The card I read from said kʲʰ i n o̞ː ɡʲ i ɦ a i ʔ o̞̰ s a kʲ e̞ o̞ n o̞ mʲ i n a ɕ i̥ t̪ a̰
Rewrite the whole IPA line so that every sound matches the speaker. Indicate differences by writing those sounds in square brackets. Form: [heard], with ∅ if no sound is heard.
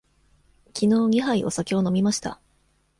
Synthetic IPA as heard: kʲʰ i n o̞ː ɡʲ i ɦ a i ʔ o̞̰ s a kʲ e̞ o̞ n o̞ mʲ i [m] a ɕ i̥ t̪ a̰